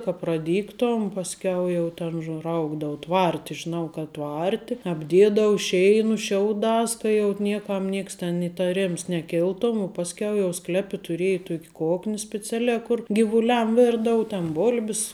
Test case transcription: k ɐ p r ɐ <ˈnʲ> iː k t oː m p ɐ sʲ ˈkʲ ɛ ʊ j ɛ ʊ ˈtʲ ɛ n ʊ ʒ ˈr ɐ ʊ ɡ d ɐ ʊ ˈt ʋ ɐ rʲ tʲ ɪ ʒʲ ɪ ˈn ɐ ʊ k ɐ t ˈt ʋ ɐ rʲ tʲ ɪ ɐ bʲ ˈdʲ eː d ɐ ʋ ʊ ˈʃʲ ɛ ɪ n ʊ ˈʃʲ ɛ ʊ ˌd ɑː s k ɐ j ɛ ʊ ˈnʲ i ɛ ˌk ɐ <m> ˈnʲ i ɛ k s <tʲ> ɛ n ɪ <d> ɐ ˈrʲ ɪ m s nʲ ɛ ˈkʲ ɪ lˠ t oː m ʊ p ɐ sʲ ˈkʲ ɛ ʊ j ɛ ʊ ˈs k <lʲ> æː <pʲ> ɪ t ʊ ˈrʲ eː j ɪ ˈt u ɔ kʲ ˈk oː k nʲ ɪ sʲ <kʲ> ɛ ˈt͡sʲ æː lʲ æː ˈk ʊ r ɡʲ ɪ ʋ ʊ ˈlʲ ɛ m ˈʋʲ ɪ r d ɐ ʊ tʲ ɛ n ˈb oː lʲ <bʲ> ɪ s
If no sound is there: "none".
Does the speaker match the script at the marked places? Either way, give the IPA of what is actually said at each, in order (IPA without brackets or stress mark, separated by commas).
dʲ, m, tʲ, t, lʲ, pʲ, pʲ, bʲ